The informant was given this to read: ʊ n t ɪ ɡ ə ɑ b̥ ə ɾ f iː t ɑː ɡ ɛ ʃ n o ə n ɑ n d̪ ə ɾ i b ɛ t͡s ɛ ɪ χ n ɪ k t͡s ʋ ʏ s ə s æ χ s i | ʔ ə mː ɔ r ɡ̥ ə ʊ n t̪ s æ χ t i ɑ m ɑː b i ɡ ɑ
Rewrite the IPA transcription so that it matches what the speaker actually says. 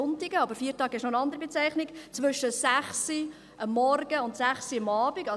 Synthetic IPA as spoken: ʊ n t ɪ ɡ ə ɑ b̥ ə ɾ f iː t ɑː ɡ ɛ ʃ n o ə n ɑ n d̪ ə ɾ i b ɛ t͡s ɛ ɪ χ n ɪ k t͡s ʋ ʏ ʃ ə s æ χ s i | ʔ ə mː ɔ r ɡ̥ ə ʊ n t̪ s æ χ s i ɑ m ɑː b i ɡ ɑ